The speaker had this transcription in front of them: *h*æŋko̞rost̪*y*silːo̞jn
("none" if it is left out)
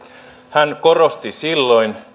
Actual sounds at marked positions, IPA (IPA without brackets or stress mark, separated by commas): h, i